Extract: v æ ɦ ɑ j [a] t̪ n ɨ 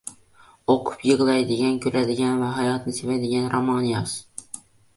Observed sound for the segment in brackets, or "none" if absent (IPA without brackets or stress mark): ɑ